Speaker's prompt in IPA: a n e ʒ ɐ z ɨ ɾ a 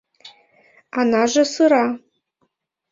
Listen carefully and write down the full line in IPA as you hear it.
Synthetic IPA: a n a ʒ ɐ s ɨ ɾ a

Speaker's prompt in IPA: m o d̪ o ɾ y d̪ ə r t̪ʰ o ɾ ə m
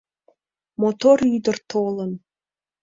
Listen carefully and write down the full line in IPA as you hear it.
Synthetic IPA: m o t̪ o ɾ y d̪ ə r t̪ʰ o l ə n

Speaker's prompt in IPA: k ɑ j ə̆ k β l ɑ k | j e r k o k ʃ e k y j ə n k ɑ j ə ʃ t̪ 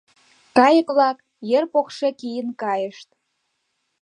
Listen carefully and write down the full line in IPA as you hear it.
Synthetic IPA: k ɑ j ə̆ k β l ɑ k | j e r p o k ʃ e k i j ə n k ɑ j ə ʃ t̪

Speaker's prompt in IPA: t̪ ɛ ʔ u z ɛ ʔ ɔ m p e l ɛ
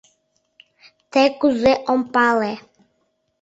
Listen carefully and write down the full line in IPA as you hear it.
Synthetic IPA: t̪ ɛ k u z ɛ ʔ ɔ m p a l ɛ

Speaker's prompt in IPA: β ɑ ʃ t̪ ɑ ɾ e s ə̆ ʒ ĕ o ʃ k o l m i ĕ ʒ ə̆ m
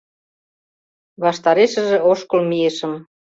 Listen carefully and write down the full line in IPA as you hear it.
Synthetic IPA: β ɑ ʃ t̪ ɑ ɾ e ʃ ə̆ ʒ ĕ o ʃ k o l m i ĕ ʃ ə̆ m

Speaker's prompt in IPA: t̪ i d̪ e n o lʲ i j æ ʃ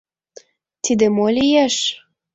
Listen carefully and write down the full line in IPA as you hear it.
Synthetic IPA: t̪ i d̪ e m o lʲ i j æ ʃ

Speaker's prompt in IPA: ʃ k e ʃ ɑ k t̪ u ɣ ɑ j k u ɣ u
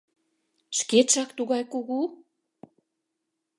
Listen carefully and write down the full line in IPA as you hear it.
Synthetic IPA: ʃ k e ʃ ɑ k t̪ u ɣ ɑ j k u ɣ u

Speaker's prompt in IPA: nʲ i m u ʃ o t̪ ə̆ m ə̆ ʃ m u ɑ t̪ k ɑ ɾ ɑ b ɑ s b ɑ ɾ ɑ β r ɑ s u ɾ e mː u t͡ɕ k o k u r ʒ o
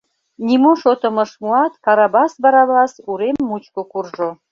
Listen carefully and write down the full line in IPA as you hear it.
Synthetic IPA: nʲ i m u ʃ o t̪ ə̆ m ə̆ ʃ m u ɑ t̪ k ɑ ɾ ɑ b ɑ s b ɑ ɾ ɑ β l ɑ s u ɾ e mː u t͡ɕ k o k u r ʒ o

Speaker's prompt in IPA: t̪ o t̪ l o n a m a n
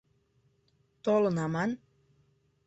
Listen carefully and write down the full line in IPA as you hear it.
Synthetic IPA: t̪ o l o n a m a n

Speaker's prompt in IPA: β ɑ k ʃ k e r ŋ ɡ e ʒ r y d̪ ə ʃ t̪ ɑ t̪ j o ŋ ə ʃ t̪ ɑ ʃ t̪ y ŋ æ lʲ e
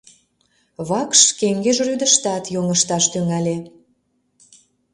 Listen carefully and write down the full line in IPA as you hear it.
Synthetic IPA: β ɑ k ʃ k e ŋ ɡ e ʒ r y d̪ ə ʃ t̪ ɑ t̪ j o ŋ ə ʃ t̪ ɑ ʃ t̪ y ŋ æ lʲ e

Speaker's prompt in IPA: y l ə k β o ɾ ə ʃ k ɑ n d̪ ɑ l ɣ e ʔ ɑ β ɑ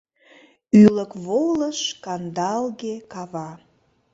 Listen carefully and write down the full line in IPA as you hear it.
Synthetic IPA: y l ə k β o l ə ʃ k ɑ n d̪ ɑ l ɣ e k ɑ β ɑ

